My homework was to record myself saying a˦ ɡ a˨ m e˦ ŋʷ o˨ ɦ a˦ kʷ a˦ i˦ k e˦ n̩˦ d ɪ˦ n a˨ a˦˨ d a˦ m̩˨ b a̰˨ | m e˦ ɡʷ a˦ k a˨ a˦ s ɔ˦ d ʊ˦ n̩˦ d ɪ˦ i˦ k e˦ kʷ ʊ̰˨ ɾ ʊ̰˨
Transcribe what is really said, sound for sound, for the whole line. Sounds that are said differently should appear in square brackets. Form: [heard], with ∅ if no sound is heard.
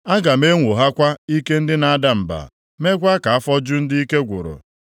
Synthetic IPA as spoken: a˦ ɡ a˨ m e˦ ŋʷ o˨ ɦ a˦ kʷ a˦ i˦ k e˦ n̩˦ d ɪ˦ n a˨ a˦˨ d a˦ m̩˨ b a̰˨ | m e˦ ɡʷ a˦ k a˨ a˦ [f] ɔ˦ [d͡ʒ] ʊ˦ n̩˦ d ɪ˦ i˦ k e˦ [ɡʷ] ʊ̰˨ ɾ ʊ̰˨